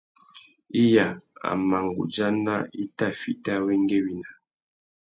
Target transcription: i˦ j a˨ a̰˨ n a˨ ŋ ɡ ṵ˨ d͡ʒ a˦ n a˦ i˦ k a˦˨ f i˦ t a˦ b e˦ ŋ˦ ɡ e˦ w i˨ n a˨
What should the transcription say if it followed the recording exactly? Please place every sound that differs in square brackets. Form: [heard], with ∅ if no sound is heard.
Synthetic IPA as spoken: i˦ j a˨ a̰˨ [m] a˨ ŋ ɡ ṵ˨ d͡ʒ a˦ n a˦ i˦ [t] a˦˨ f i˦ t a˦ [w] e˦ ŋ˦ ɡ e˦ w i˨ n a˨